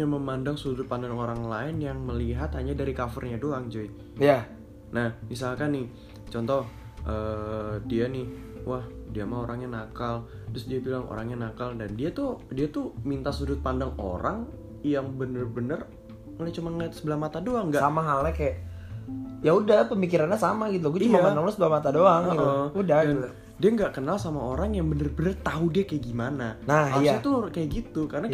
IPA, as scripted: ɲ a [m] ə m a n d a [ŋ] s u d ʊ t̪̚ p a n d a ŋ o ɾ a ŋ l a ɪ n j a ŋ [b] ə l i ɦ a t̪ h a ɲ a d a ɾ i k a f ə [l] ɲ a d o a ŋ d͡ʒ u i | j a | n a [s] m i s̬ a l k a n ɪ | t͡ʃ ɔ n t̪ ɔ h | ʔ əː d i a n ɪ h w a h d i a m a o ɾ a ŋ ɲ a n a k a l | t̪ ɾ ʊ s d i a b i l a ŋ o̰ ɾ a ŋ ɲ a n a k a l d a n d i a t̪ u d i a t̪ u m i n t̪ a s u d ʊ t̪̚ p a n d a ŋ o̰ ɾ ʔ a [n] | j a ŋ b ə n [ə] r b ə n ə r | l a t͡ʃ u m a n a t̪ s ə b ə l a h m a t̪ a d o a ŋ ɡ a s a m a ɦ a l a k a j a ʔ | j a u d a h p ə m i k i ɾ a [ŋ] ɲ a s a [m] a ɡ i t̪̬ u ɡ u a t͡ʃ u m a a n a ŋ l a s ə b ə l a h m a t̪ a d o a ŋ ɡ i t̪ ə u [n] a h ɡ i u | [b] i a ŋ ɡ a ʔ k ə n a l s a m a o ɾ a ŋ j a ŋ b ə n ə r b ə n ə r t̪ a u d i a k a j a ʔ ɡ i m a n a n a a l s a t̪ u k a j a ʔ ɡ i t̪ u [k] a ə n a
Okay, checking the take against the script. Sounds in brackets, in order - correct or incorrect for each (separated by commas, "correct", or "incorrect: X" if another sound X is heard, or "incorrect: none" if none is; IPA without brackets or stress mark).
correct, correct, incorrect: m, incorrect: r, incorrect: h, incorrect: ŋ, correct, incorrect: n, correct, incorrect: d, incorrect: d, correct